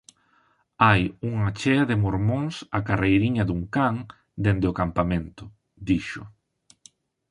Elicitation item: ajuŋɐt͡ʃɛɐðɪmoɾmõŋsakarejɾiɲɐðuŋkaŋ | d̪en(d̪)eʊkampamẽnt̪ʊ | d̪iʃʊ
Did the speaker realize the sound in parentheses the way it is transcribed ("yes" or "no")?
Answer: yes